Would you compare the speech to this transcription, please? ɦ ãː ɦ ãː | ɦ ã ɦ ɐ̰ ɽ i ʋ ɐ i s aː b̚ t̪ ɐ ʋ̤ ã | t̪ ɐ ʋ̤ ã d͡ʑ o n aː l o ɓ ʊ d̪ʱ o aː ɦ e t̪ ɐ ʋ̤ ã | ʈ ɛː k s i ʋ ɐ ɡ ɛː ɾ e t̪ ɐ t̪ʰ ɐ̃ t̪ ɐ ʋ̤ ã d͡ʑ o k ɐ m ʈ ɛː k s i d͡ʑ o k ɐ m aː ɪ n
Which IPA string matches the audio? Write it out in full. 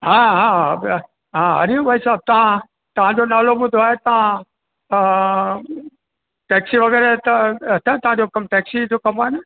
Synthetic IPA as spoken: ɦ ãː ɦ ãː | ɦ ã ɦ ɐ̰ ɾ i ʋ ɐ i s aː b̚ t̪ ɐ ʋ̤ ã | t̪ ɐ ʋ̤ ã d͡ʑ o n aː l o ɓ ʊ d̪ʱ o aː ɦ e t̪ ɐ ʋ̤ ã | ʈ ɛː k s i ʋ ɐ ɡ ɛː ɾ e t̪ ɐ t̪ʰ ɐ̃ t̪ ɐ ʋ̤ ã d͡ʑ o k ɐ m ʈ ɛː k s i d͡ʑ o k ɐ m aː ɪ n